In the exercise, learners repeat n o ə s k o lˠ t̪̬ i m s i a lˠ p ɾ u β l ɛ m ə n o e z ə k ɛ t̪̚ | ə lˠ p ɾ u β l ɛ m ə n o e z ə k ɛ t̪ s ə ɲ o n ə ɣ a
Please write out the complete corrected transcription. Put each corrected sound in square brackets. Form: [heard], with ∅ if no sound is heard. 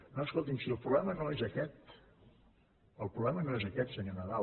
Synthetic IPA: n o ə s k o lˠ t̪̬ i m s i [ə] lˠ p ɾ u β l ɛ m ə n o e z ə k ɛ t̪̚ | ə lˠ p ɾ u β l ɛ m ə n o e z ə k ɛ t̪ s ə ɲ o n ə [ð] a

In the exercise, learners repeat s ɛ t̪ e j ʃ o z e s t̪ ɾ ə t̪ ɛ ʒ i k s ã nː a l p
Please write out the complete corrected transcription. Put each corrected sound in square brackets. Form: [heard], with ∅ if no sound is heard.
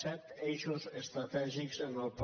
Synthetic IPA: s ɛ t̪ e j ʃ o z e s t̪ ɾ [a] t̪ ɛ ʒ i k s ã [n] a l p

